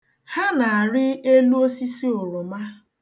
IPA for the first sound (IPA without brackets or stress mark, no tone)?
h